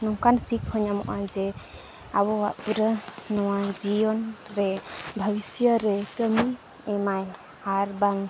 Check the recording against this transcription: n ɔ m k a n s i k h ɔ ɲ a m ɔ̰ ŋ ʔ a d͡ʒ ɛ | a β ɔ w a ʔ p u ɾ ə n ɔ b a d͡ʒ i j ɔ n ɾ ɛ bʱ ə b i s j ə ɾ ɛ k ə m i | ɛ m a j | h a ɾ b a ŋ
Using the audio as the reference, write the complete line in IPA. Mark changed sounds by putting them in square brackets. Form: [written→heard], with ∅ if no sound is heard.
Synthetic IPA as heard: n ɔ [m→ŋ] k a n s i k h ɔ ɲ a m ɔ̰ [ŋ→∅] ʔ a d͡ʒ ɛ | a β ɔ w a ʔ p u ɾ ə n ɔ [b→w] a d͡ʒ i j ɔ n ɾ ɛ bʱ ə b i s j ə ɾ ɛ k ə m i | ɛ m a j | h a ɾ b a ŋ